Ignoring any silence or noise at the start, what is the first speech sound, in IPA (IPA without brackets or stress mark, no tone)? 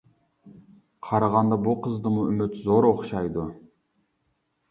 qʰ